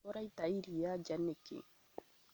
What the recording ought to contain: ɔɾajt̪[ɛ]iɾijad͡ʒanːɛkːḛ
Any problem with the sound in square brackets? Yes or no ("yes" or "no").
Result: yes